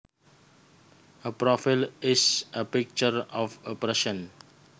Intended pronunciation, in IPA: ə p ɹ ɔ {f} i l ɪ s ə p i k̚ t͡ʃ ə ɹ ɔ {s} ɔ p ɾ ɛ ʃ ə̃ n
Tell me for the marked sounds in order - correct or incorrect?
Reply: correct, incorrect: f

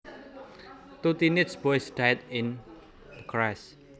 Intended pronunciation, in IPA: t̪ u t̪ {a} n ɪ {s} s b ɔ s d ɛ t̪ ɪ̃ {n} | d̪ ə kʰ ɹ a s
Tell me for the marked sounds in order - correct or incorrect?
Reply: incorrect: i, incorrect: t, correct

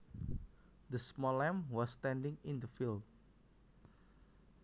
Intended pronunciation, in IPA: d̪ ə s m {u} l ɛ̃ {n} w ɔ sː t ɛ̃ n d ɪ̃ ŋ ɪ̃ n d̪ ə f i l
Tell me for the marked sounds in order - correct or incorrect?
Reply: incorrect: ɔ, incorrect: m

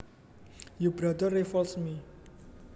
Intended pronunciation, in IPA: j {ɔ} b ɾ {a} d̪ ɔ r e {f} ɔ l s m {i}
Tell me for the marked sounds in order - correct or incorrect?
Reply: incorrect: u, correct, correct, correct

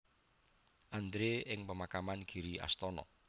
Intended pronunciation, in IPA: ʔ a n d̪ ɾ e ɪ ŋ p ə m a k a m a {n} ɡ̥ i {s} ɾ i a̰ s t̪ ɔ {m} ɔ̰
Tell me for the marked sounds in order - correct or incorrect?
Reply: correct, incorrect: none, incorrect: n

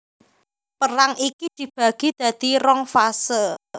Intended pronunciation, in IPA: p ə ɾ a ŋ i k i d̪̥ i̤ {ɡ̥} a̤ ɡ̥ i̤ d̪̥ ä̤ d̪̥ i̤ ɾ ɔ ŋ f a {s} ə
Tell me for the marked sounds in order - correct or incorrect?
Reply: incorrect: b̥, correct

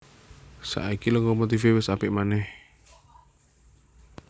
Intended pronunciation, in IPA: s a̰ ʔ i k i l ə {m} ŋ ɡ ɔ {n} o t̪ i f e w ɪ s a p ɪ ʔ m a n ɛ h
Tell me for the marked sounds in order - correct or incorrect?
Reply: incorrect: none, incorrect: m

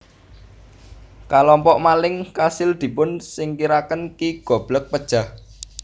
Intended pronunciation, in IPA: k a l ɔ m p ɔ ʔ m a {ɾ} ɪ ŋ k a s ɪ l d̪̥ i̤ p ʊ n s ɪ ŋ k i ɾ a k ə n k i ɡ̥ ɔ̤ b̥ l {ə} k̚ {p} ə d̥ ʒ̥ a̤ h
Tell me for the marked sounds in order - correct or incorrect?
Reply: incorrect: l, correct, correct

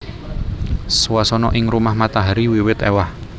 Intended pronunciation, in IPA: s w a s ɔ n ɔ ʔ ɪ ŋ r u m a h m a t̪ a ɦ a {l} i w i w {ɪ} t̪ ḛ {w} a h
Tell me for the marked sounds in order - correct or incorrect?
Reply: incorrect: ɾ, correct, correct

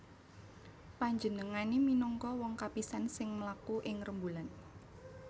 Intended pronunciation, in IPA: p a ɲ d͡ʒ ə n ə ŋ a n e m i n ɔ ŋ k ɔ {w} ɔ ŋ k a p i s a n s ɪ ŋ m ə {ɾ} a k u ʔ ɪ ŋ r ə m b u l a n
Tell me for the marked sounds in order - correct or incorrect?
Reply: correct, incorrect: l

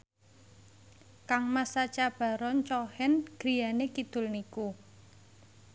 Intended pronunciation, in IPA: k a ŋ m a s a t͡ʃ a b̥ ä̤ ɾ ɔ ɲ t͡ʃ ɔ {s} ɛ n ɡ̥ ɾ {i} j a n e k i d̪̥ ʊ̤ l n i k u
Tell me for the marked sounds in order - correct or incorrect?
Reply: incorrect: h, correct

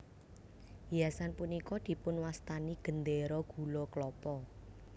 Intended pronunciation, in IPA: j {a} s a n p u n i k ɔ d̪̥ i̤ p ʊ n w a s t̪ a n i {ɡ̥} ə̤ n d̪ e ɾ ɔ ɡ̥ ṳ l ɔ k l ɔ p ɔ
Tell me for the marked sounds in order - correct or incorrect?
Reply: correct, correct

